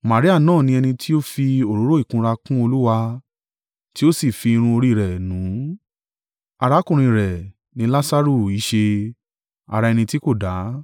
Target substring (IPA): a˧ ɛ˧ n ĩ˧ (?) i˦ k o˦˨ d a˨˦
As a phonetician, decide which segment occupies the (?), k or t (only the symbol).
t